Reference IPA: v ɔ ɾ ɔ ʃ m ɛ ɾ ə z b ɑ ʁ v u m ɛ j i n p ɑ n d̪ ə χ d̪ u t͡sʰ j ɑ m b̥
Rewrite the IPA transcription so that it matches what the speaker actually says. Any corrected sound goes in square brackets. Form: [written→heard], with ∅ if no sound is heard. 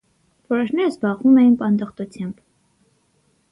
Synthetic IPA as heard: v ɔ ɾ ɔ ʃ [m→n] ɛ ɾ ə z b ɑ ʁ v u m ɛ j i n p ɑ n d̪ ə χ [d̪→t̪] u t͡sʰ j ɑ m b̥